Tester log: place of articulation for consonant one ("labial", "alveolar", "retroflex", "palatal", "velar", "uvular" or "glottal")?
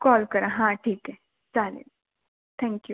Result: velar